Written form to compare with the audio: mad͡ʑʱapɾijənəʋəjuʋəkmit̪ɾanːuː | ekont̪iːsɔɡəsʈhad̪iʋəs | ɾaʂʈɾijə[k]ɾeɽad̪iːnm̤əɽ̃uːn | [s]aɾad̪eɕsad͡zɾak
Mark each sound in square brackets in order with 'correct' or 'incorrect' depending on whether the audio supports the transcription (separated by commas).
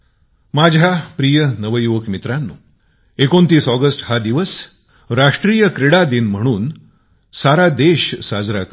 correct, correct